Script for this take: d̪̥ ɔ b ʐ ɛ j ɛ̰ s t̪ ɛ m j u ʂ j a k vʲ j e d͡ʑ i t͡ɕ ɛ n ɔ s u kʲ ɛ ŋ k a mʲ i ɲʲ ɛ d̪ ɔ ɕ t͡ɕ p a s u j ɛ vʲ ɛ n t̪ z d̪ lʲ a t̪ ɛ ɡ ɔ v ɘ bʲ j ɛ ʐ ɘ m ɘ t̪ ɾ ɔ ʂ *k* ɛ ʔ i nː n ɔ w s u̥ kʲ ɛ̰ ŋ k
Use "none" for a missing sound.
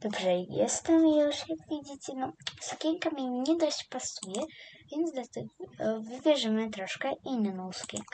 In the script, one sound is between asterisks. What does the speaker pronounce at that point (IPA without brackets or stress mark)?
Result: k